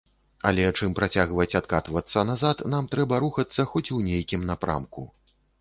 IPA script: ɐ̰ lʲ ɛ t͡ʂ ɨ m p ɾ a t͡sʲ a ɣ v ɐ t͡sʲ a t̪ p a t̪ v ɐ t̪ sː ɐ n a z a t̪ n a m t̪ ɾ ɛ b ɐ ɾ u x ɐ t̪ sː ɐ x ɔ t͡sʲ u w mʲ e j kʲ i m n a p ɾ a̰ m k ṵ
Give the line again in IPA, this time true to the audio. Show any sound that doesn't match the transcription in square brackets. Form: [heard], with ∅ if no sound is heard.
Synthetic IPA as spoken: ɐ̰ lʲ ɛ t͡ʂ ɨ m p ɾ a t͡sʲ a ɣ v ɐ t͡sʲ a t̪ [k] a t̪ v ɐ t̪ sː ɐ n a z a t̪ n a m t̪ ɾ ɛ b ɐ ɾ u x ɐ t̪ sː ɐ x ɔ t͡sʲ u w [nʲ] e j kʲ i m n a p ɾ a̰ m k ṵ